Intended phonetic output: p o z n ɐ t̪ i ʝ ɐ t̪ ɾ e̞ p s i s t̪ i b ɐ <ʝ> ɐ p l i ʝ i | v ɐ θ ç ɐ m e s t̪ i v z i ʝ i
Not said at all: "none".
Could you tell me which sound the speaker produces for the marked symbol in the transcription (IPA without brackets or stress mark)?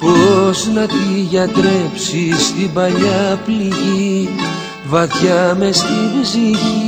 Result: ʎ